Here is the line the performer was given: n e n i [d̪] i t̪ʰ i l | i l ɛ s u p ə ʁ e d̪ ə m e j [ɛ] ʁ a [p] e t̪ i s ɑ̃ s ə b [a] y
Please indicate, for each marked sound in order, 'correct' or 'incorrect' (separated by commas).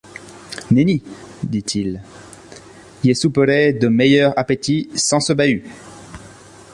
correct, incorrect, correct, correct